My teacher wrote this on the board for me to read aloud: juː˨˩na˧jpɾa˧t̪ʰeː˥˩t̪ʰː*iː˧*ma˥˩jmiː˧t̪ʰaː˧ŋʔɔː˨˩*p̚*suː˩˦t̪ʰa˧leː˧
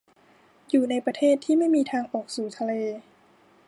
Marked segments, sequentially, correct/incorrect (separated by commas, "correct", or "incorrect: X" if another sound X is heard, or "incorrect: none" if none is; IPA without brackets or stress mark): incorrect: iː˥˩, incorrect: k̚